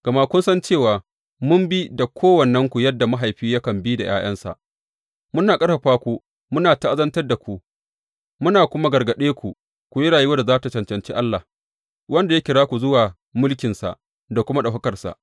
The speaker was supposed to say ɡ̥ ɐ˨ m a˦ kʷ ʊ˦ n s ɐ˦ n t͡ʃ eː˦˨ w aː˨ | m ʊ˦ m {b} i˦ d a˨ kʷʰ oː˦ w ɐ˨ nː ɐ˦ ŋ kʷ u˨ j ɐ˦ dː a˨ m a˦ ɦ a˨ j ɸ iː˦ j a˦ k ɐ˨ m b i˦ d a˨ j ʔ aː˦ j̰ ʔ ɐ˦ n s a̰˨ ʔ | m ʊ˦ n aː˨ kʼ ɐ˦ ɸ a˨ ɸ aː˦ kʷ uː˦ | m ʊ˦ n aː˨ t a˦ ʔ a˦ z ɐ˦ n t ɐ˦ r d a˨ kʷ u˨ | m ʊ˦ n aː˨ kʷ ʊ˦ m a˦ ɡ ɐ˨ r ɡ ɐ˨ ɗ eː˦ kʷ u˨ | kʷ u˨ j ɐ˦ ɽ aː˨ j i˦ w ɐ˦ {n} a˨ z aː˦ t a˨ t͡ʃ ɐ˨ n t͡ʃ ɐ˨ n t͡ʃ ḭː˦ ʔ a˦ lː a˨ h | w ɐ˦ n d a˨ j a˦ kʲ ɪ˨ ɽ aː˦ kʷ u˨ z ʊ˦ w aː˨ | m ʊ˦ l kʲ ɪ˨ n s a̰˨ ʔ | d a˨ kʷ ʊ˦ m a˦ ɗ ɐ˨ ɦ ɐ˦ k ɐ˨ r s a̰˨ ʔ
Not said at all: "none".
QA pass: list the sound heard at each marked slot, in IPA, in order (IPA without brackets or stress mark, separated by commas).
b, d